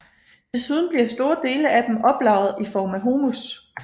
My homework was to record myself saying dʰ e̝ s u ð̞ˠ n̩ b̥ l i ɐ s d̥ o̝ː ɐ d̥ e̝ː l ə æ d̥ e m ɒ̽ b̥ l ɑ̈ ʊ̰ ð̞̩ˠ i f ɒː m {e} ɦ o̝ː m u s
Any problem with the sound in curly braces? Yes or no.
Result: yes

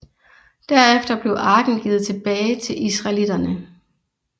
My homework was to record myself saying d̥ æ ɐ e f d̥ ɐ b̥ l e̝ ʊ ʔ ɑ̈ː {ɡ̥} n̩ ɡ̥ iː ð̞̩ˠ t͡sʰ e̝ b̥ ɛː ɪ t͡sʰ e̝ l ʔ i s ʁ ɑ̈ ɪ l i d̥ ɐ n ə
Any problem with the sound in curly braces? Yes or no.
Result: no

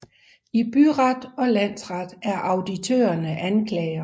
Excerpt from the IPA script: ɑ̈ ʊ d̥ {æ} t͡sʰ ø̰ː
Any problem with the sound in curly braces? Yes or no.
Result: yes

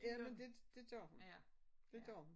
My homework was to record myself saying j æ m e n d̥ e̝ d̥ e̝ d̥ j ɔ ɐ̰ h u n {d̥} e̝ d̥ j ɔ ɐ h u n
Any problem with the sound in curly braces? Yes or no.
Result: no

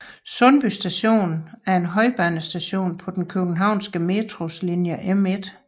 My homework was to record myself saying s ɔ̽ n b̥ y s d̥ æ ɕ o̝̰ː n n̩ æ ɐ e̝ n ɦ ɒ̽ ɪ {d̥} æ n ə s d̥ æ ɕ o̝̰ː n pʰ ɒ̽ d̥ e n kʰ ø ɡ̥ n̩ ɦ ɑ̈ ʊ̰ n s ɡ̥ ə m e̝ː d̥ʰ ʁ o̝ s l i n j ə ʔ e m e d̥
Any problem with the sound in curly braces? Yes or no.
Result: yes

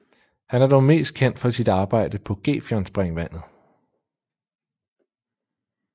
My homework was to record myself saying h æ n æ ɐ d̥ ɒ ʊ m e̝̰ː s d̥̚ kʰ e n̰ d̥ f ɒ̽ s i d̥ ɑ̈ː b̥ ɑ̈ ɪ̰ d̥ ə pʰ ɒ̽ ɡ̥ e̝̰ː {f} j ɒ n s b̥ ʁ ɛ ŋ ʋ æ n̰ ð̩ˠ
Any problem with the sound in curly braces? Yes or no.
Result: no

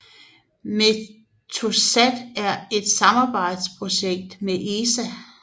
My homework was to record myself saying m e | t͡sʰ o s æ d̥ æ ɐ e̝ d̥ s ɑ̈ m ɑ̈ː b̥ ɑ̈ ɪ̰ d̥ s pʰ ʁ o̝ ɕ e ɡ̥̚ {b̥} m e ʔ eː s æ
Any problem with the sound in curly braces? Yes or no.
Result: yes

